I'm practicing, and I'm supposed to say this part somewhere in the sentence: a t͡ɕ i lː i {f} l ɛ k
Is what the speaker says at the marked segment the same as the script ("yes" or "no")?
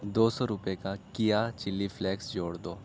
yes